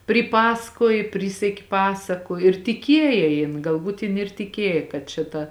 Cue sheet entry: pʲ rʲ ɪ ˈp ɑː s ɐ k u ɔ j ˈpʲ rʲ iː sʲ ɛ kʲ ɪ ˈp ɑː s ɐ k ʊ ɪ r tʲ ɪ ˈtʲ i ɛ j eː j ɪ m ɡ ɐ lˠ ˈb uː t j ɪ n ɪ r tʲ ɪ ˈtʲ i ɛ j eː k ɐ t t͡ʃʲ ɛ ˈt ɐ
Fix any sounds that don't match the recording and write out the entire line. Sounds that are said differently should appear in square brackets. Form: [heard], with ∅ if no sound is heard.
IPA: pʲ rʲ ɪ ˈp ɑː s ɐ k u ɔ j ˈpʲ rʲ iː sʲ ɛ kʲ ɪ ˈp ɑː s ɐ k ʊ ɪ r tʲ ɪ [ˈkʲ] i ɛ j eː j ɪ [n] ɡ ɐ lˠ ˈb uː t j ɪ n ɪ r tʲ ɪ [ˈkʲ] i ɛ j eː k ɐ t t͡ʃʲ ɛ ˈt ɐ